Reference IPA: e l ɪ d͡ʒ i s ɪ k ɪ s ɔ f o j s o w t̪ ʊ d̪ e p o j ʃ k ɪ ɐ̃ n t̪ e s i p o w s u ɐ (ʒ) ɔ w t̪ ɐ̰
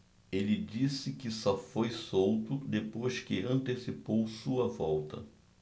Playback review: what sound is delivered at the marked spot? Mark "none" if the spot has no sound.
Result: v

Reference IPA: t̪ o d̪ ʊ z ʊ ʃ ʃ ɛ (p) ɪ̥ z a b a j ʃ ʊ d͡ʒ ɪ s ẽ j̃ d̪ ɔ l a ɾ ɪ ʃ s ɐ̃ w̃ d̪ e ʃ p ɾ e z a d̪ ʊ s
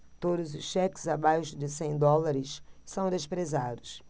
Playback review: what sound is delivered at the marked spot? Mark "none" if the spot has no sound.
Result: k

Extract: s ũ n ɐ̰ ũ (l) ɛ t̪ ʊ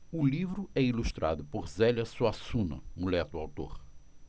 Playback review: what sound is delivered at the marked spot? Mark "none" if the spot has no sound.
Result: l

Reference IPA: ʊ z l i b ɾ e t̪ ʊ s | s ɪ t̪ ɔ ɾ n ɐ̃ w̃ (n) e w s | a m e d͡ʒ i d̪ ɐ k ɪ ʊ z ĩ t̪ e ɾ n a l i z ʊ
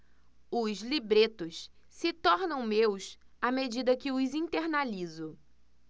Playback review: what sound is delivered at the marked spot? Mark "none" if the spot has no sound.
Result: m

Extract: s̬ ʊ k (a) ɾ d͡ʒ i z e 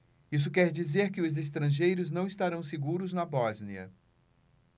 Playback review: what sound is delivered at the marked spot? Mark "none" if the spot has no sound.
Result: ɛ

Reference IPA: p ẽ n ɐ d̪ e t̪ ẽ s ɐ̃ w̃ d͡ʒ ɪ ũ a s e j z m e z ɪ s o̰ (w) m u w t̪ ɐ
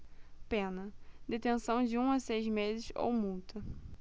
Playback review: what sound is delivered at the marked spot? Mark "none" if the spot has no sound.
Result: w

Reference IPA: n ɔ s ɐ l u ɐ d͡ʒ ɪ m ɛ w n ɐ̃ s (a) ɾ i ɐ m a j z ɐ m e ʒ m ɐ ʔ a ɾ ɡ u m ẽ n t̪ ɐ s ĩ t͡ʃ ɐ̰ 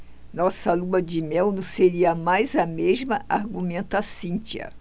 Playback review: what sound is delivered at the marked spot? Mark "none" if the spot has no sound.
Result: e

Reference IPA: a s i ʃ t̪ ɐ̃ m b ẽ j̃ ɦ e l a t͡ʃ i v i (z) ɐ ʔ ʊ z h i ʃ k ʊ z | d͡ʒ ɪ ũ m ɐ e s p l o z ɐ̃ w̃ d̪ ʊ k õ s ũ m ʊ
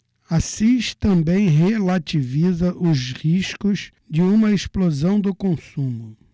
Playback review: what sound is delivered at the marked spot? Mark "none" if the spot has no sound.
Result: z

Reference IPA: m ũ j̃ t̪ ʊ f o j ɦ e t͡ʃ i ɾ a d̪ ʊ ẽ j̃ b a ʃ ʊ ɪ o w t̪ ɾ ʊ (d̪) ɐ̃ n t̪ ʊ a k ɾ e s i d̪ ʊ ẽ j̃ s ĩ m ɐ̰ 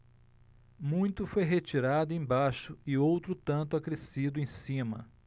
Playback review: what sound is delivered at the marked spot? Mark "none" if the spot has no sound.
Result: t̪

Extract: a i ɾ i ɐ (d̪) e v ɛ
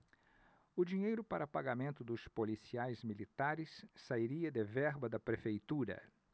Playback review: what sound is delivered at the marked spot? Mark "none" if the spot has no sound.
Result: d̪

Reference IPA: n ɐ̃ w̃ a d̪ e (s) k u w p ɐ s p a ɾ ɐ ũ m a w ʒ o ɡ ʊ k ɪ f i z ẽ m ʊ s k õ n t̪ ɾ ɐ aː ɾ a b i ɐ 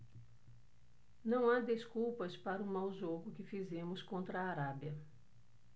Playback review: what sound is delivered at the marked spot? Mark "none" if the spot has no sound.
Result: s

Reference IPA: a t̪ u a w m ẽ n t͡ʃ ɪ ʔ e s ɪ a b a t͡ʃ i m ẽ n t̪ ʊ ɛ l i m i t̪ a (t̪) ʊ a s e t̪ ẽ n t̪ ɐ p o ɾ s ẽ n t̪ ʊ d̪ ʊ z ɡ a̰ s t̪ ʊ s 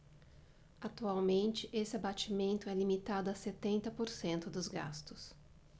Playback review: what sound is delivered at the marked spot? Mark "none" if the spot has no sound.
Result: d̪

